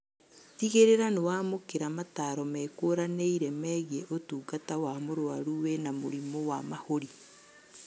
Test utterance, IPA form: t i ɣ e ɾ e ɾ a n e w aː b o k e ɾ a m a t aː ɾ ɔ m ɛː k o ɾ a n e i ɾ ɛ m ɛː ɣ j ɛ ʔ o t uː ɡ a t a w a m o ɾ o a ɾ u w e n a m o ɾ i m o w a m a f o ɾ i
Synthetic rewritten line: t i ɣ e ɾ e ɾ a n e w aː m o k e ɾ a m a t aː ɾ ɔ m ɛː k o ɾ a n e i ɾ ɛ m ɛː ɣ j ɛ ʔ o t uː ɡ a t a w a m o ɾ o a ɾ u w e n a m o ɾ i m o w a m a h o ɾ i

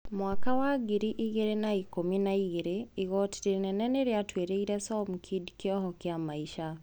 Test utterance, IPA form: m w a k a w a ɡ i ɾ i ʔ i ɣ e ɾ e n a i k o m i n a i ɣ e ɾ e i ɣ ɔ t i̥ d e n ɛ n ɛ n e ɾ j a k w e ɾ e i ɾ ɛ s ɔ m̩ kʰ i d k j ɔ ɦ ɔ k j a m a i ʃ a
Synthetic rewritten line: m w a k a w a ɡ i ɾ i ʔ i ɣ e ɾ e n a i k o m i n a i ɣ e ɾ e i ɣ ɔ t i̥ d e n ɛ n ɛ n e ɾ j a t w e ɾ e i ɾ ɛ s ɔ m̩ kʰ i d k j ɔ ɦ ɔ k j a m a i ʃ a

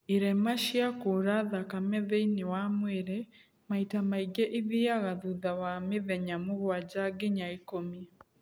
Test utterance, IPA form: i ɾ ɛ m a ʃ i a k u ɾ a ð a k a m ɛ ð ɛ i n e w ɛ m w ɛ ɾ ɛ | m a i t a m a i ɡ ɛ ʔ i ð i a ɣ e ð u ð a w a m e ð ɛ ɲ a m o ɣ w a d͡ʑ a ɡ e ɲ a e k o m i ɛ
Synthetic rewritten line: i ɾ ɛ m a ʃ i a k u ɾ a ð a k a m ɛ ð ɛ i n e w a m w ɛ ɾ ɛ | m a i t a m a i ɡ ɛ ʔ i ð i a ɣ a ð u ð a w a m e ð ɛ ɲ a m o ɣ w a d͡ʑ a ɡ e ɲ a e k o m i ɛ

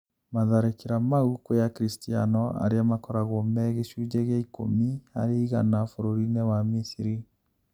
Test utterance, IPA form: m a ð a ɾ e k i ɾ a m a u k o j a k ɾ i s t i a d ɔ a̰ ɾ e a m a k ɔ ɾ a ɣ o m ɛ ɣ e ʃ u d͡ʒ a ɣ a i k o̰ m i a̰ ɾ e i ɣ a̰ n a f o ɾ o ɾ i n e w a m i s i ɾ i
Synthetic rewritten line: m a ð a ɾ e k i ɾ a m a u k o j a k ɾ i s t i a n ɔ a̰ ɾ e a m a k ɔ ɾ a ɣ o m ɛ ɣ e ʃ u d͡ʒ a ɣ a i k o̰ m i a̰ ɾ e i ɣ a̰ n a f o ɾ o ɾ i n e w a m i s i ɾ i

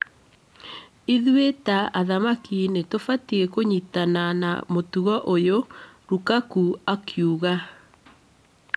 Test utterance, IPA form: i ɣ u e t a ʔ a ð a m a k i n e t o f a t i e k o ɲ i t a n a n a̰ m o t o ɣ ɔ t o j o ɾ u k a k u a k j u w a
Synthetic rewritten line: i ð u e t a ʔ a ð a m a k i n e t o f a t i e k o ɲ i t a n a n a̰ m o t u ɣ ɔ ʔ o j o ɾ u k a k u a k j u ɣ a

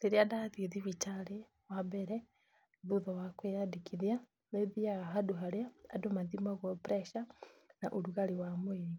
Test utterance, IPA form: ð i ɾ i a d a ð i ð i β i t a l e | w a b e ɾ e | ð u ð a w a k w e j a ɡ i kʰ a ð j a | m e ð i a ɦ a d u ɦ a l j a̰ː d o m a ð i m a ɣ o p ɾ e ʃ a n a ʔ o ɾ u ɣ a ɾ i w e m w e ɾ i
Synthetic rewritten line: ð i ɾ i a d a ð i ð i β i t a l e | w a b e ɾ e | ð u ð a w a k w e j a d i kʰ i ð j a | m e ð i a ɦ a d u ɦ a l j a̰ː d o m a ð i m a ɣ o p ɾ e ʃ a n a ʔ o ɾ u ɣ a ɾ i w a m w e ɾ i

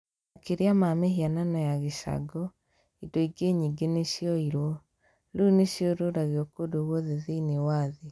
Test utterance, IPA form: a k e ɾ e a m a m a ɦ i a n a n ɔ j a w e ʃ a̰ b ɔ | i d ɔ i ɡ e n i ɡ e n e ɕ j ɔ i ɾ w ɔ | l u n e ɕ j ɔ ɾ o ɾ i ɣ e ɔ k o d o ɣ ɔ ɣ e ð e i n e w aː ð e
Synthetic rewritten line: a k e ɾ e a m a m e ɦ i a n a n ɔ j a ɣ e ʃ a̰ ɡ ɔ | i d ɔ i ɡ e ɲ i ɡ e n e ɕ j ɔ i ɾ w ɔ | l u n e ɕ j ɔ ɾ o ɾ a ɣ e ɔ k o d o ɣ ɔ ð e ð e i n e w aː ð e

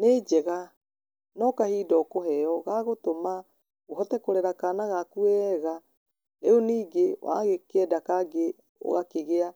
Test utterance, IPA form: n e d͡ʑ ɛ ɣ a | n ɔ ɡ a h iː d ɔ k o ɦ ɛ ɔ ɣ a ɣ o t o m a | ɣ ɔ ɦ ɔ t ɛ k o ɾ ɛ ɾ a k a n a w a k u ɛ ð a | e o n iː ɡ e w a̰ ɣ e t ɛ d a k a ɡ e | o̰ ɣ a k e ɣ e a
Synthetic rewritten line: n e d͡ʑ ɛ ɣ a | n ɔ k a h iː d ɔ k o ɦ ɛ ɔ ɣ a ɣ o t o m a | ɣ o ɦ ɔ t ɛ k o ɾ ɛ ɾ a k a n a ɣ a k u ɛ ɣ a | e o n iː ɡ e w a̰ ɣ e k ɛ d a k a ɡ e | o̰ ɣ a k e ɣ e a

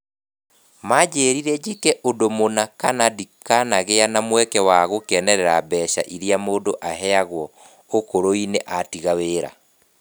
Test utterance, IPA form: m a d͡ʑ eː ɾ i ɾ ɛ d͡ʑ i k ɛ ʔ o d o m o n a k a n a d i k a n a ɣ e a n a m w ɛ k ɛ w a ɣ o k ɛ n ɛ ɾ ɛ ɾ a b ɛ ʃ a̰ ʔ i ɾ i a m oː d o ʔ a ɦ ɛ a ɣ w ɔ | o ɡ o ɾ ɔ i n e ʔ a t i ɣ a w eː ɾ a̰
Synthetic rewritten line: m a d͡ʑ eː ɾ i ɾ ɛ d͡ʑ i k ɛ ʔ o d o m o n a k a n a d i k a n a ɣ e a n a m w ɛ k ɛ w a ɣ o k ɛ n ɛ ɾ ɛ ɾ a b ɛ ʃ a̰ ʔ i ɾ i a m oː d o ʔ a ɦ ɛ a ɣ w ɔ | o k o ɾ o i n e ʔ a t i ɣ a w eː ɾ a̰

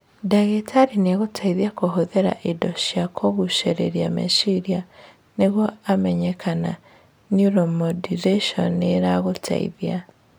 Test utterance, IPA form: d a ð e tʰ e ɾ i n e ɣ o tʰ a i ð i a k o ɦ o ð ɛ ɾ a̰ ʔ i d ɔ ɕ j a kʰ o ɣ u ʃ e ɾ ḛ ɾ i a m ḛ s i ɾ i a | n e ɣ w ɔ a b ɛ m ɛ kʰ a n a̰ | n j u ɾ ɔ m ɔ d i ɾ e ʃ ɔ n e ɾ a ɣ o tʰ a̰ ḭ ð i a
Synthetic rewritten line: d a ɣ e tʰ a ɾ i n e ɣ o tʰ a i ð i a k o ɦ o ð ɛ ɾ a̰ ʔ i d ɔ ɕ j a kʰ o ɣ u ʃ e ɾ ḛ ɾ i a m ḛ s i ɾ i a | n e ɣ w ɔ a m ɛ ɲ ɛ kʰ a n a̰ | n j u ɾ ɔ m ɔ d i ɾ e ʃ ɔ n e ɾ a ɣ o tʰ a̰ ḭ ð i a

